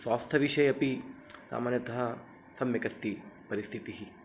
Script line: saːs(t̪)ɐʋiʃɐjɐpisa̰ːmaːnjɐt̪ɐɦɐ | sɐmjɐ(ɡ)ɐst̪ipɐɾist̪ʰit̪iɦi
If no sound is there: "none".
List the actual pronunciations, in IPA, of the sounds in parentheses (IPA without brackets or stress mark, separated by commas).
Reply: t̪ʰ, k